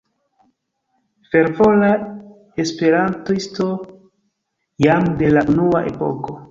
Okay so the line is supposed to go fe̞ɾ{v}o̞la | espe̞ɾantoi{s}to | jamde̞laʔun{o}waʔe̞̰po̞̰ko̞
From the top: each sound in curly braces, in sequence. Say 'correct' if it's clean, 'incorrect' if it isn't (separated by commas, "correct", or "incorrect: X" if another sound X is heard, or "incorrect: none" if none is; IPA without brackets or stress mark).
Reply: correct, correct, incorrect: u